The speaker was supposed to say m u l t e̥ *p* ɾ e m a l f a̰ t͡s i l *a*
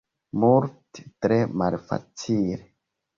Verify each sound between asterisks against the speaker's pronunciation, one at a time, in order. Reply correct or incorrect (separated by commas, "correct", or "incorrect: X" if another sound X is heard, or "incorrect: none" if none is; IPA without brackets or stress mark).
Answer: incorrect: t, incorrect: e